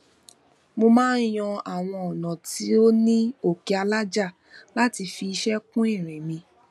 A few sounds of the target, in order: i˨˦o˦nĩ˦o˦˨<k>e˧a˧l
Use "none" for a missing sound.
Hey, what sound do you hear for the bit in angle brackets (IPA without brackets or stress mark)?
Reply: k